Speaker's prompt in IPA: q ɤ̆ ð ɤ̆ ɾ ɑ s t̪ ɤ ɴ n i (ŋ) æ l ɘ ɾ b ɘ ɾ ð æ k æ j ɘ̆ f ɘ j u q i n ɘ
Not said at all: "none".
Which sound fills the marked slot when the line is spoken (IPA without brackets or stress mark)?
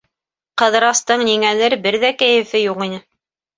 ŋ